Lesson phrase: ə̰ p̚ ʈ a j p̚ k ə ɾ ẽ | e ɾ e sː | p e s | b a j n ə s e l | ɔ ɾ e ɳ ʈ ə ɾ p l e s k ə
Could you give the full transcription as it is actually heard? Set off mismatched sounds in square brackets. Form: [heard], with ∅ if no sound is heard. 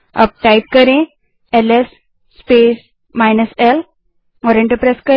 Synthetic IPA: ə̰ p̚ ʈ a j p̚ k ə ɾ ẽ | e [l] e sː | p e s | [m] a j n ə s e l | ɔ ɾ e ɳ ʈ ə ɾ p [ɾ] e s k ə